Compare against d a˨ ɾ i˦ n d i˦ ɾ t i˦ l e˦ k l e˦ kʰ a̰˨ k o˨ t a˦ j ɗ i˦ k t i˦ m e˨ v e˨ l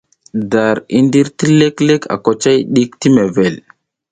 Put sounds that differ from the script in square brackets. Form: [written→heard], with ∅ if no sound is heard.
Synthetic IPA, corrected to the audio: d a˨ ɾ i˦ n d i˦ ɾ t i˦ l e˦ k l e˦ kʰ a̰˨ k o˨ [t→t͡ʃ] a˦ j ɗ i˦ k t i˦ m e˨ v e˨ l